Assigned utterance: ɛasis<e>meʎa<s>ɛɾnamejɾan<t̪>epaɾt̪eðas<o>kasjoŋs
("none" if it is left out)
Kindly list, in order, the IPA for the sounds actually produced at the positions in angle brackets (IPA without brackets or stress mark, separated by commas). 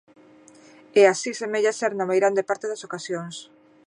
e, s, d̪, o